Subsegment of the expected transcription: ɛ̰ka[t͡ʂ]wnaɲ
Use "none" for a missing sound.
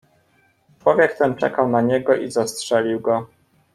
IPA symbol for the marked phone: none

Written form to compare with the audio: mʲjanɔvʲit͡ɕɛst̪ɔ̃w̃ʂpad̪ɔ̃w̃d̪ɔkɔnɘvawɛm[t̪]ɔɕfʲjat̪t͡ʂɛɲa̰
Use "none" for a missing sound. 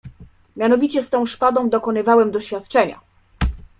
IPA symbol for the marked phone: d̪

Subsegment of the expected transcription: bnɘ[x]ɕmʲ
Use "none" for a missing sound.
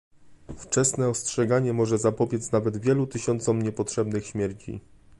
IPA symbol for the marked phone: x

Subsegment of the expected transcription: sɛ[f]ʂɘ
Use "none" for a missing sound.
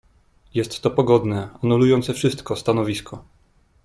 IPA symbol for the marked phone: f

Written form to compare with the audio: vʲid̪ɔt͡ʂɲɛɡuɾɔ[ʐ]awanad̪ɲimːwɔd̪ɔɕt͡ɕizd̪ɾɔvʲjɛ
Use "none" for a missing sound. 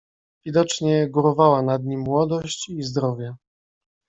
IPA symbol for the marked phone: v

